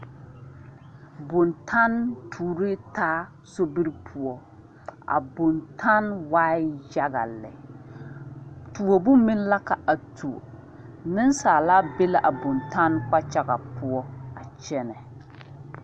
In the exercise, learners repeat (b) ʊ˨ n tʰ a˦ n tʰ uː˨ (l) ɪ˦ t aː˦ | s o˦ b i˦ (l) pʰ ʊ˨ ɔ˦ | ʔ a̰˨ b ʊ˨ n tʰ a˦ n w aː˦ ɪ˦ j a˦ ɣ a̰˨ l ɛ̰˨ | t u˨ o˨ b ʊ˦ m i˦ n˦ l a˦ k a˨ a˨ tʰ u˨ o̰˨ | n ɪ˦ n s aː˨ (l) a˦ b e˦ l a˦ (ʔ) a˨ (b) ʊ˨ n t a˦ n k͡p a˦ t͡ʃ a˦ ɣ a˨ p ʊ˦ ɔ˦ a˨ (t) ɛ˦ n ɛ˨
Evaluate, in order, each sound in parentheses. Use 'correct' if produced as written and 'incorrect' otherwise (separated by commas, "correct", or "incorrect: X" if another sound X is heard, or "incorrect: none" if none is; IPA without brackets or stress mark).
correct, incorrect: ɾ, incorrect: ɾ, correct, correct, correct, incorrect: t͡ʃ